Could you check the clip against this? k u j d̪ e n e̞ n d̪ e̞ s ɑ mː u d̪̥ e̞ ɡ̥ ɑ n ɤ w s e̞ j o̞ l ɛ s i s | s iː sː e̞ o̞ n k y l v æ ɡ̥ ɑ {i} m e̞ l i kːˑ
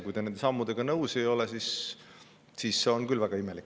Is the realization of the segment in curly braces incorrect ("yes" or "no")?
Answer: no